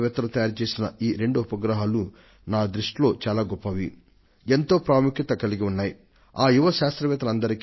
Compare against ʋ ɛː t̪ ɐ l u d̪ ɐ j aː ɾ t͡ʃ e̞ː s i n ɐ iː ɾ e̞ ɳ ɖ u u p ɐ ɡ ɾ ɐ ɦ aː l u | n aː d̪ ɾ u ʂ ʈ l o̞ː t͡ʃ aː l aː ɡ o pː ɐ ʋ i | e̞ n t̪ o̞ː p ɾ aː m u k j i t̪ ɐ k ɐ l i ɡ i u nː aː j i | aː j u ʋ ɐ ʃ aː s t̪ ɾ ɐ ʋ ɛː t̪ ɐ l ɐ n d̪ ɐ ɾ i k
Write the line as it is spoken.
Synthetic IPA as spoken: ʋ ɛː t̪ ɐ l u t̪ ɐ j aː ɾ t͡ʃ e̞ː s i n ɐ iː ɾ e̞ ɳ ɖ u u p ɐ ɡ ɾ ɐ ɦ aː l u | n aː d̪ ɾ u ʂ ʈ l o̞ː t͡ʃ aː l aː ɡ ɔ pː ɐ ʋ i | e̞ n t̪ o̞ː p ɾ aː m u k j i t̪ ɐ k ɐ l i ɡ i u nː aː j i | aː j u ʋ ɐ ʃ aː s t̪ ɾ ɐ ʋ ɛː t̪ ɐ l ɐ n d̪ ɐ ɾ i k

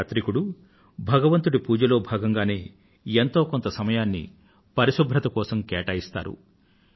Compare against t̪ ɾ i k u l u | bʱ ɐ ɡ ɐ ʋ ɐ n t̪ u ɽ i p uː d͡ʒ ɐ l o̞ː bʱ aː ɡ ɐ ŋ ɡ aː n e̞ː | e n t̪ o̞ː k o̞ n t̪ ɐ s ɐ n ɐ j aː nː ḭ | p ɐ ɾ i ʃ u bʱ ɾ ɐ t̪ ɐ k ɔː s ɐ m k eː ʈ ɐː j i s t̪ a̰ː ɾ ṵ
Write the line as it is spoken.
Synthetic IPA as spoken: t̪ ɾ i k u ɽ u | bʱ ɐ ɡ ɐ ʋ ɐ n t̪ u ɽ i p uː d͡ʒ ɐ l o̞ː bʱ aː ɡ ɐ ŋ ɡ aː n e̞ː | e n t̪ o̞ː k o̞ n t̪ ɐ s ɐ m ɐ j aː nː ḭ | p ɐ ɾ i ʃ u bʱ ɾ ɐ t̪ ɐ k ɔː s ɐ m k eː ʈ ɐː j i s t̪ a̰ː ɾ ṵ

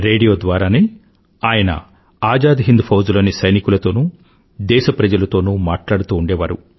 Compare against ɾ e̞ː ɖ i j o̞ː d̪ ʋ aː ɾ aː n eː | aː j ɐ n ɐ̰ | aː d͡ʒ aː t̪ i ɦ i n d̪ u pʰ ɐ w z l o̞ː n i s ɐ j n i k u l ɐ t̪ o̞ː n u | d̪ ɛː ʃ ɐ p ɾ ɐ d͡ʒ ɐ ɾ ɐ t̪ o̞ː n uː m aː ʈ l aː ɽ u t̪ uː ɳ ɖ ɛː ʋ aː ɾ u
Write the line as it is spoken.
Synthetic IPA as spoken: ɾ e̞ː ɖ i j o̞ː d̪ ʋ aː ɾ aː n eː | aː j ɐ n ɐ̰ | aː d͡ʒ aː d̪ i ɦ i n d̪ u pʰ ɐ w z l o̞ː n i s ɐ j n i k u l ɐ t̪ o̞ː n u | d̪ ɛː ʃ ɐ p ɾ ɐ d͡ʒ ɐ l ɐ t̪ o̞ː n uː m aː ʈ l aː ɽ u t̪ uː ɳ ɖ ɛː ʋ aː ɾ u

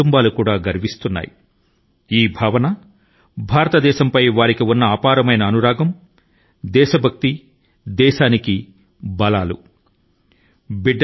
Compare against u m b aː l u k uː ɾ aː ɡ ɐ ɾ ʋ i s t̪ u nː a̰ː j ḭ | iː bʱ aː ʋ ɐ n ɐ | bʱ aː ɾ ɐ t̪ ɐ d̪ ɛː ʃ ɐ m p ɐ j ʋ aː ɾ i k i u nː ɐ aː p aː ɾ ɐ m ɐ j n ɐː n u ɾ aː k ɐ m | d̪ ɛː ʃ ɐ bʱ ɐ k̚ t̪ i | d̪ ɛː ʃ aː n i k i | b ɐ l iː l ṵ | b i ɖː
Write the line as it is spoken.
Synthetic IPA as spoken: u m b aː l u k uː ɽ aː ɡ ɐ ɾ ʋ i s t̪ u nː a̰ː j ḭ | iː bʱ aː ʋ ɐ n ɐ | bʱ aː ɾ ɐ t̪ ɐ d̪ ɛː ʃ ɐ m p ɐ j ʋ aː ɾ i k i u nː ɐ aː p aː ɾ ɐ m ɐ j n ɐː n u ɾ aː ɡ ɐ m | d̪ ɛː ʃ ɐ bʱ ɐ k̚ t̪ i | d̪ ɛː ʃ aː n i k i | b ɐ l aː l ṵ | b i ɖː

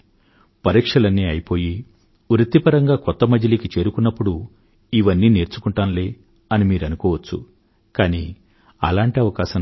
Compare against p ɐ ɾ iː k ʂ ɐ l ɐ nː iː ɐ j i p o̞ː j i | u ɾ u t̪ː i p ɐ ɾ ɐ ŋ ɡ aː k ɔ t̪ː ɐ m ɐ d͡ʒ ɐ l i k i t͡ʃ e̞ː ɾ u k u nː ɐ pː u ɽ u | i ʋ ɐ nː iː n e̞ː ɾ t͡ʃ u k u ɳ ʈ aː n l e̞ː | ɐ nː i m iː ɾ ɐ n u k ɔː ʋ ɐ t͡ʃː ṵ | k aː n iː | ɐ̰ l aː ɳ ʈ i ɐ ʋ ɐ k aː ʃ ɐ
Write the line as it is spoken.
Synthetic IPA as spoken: p ɐ ɾ iː k ʂ ɐ l ɐ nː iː ɐ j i p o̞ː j i | u ɾ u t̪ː i p ɐ ɾ ɐ ŋ ɡ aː k ɔ t̪ː ɐ m ɐ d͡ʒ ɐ l i k i t͡ʃ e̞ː ɾ u k u nː ɐ pː u ɽ u | i ʋ ɐ nː iː n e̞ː ɾ t͡ʃ u k u ɳ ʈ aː n l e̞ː | ɐ n i m iː ɾ ɐ n u k ɔː ʋ ɐ t͡ʃː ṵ | k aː n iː | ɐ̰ l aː ɳ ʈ i ɐ ʋ ɐ k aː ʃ ɐ

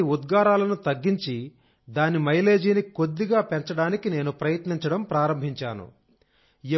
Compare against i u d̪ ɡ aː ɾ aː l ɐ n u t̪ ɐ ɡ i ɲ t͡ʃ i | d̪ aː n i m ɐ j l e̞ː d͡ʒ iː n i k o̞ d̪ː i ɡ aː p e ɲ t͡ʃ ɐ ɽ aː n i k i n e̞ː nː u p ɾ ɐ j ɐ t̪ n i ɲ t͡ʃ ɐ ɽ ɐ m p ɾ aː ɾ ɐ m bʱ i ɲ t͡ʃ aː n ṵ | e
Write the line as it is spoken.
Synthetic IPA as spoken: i u d̪ ɡ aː ɾ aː l ɐ n u t̪ ɐ ɡː i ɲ t͡ʃ i | d̪ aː n i m ɐ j l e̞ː d͡ʒ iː n i k o̞ d̪ː i ɡ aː p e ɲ t͡ʃ ɐ ɽ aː n i k i n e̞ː n u p ɾ ɐ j ɐ t̪ n i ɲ t͡ʃ ɐ ɽ ɐ m p ɾ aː ɾ ɐ m bʱ i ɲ t͡ʃ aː n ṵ | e

